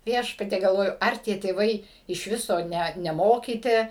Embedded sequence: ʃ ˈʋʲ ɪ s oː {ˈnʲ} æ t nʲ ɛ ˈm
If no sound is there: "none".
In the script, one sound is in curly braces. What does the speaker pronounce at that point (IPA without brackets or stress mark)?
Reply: nʲ